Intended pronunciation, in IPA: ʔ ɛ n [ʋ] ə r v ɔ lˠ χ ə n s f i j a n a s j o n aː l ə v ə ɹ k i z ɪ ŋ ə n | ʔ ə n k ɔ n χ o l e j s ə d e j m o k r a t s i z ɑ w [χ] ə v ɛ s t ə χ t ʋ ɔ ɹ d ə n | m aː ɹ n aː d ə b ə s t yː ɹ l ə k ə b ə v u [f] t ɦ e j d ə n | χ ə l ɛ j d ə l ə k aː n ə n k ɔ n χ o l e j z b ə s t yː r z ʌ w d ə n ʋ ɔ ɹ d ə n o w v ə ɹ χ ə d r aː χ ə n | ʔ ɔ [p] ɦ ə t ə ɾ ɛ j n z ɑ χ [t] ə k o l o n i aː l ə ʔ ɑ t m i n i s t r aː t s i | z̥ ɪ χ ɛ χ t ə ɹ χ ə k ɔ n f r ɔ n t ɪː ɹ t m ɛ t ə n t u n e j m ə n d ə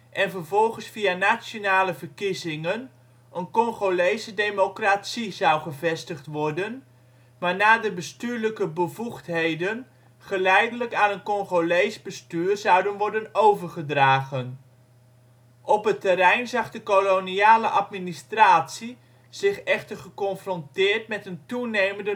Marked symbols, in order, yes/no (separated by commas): no, yes, no, yes, no